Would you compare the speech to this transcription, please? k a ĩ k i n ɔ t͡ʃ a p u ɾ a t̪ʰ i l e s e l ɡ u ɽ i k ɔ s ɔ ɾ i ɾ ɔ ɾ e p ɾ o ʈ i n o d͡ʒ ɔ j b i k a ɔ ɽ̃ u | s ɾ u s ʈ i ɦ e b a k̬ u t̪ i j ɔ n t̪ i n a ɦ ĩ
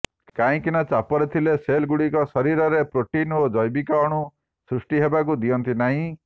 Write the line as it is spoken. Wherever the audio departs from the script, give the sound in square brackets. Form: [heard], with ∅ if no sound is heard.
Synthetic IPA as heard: k a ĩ k i n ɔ t͡ʃ a p [ɔ] ɾ [e] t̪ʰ i l e s e l ɡ u ɽ i k ɔ s ɔ ɾ i ɾ ɔ ɾ e p ɾ o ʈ i n o d͡ʒ ɔ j b i k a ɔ ɽ̃ u | s ɾ u s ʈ i ɦ e b a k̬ u [d̪] i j ɔ n t̪ i n a ɦ ĩ